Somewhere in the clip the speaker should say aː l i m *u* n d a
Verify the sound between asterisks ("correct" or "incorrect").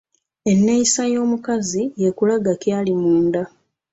incorrect